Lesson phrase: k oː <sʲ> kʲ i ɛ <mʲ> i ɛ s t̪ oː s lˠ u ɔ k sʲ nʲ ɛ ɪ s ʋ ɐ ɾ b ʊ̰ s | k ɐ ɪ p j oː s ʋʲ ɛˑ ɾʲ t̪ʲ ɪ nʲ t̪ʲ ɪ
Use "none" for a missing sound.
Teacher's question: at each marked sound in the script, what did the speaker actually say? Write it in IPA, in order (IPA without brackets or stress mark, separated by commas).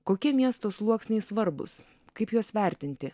none, mʲ